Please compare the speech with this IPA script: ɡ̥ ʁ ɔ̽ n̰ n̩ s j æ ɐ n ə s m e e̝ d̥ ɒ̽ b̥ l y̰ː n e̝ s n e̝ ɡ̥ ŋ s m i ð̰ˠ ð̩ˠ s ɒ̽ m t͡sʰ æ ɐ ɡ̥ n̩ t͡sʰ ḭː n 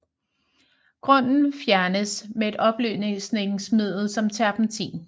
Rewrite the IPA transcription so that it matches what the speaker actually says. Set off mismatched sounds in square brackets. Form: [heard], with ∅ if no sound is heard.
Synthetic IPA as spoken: ɡ̥ ʁ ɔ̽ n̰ n̩ [f] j æ ɐ n ə s m e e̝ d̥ ɒ̽ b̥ l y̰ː n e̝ s n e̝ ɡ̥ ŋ s m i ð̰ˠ ð̩ˠ s ɒ̽ m t͡sʰ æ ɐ [b̥] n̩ t͡sʰ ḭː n